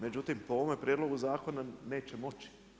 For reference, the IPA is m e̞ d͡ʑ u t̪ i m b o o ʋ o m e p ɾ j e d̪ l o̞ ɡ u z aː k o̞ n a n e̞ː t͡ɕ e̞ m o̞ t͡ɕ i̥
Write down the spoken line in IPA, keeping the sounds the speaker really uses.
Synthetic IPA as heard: m e̞ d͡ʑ u t̪ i m p o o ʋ o m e p ɾ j e d̪ l o̞ ɡ u z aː k o̞ n a n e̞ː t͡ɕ e̞ m o̞ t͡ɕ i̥